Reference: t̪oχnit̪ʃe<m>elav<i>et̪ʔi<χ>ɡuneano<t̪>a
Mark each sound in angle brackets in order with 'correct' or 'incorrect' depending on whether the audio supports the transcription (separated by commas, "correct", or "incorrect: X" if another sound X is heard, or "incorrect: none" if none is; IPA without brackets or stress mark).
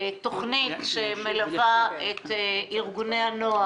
correct, incorrect: a, incorrect: ʁ, incorrect: none